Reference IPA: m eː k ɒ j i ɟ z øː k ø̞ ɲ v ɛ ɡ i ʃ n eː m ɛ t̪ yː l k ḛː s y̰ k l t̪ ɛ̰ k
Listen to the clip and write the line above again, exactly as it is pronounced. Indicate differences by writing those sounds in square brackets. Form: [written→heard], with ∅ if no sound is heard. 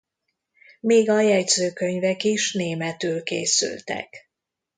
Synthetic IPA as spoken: m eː [k→ɡ] ɒ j [i→ɛ] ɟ z øː k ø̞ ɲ v ɛ [ɡ→k] i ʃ n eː m ɛ t̪ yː l k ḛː s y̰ [k→∅] l t̪ ɛ̰ k